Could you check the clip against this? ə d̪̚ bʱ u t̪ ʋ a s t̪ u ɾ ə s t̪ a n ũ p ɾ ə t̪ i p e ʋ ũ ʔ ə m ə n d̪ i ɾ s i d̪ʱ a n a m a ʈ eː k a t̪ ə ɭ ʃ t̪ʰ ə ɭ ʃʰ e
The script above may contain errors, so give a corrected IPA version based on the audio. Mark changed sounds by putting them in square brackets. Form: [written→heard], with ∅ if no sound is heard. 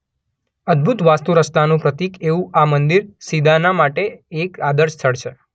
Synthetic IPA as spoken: ə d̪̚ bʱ u t̪ ʋ a s t̪ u ɾ ə s t̪ a n ũ p ɾ ə t̪ i [p→k] e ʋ ũ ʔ [ə→a] m ə n d̪ i ɾ s i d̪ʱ a n a m a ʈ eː k a [t̪→d̪] ə [ɭ→ɾ] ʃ t̪ʰ ə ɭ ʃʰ e